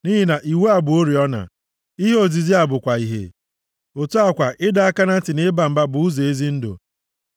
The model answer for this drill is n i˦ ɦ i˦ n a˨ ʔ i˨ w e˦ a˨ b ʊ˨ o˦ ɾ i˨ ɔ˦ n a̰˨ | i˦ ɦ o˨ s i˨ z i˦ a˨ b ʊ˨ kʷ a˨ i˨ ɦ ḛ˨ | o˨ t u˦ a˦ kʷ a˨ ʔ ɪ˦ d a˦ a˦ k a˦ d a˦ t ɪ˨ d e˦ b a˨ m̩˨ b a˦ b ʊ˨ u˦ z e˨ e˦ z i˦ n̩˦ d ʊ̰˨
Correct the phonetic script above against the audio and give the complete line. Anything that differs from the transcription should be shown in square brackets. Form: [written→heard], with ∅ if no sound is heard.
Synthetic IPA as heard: n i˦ ɦ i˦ n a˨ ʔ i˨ w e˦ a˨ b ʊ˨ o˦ ɾ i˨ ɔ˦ n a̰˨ | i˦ ɦ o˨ [s→z] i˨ z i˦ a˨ b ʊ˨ kʷ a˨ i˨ ɦ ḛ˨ | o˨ t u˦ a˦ kʷ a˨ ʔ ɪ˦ d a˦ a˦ k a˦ [d→n] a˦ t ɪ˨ [d→n] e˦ b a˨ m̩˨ b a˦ b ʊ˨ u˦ z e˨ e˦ z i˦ n̩˦ d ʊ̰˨